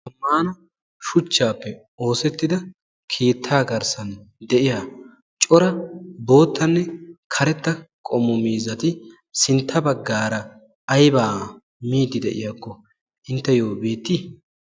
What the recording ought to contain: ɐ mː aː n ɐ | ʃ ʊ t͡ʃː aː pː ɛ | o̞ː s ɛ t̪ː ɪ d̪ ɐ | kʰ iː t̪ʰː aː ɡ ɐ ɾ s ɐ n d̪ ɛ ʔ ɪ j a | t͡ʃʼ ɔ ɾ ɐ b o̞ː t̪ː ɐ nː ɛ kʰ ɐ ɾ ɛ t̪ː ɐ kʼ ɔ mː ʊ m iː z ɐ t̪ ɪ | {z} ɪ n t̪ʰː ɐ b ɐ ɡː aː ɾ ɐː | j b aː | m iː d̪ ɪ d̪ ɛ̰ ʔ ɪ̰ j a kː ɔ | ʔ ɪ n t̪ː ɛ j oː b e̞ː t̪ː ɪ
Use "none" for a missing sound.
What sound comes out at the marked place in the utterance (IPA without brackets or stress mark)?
s